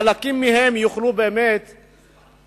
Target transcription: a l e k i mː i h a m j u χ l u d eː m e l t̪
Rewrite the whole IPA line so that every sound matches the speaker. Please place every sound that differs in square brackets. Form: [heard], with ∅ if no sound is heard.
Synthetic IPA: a l [a] k i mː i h [e] m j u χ l u [b] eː m e [∅] t̪